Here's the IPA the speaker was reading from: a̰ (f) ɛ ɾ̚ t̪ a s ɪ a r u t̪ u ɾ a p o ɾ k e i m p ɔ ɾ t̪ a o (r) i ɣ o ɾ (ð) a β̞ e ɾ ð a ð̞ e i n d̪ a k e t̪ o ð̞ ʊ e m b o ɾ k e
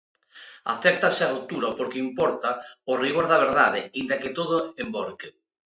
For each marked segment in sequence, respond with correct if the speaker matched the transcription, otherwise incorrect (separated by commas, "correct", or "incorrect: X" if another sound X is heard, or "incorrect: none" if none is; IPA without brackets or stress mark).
incorrect: θ, correct, correct